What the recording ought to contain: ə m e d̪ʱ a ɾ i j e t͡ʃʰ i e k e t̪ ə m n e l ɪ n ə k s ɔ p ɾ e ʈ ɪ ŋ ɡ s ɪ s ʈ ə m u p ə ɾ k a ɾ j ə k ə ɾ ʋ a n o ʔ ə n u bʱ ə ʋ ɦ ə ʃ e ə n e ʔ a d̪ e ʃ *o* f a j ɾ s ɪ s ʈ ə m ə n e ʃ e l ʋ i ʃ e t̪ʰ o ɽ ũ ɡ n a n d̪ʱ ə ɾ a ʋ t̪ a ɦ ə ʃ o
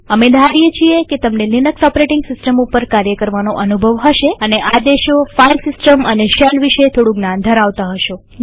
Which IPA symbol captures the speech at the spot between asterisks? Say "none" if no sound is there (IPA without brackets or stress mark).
o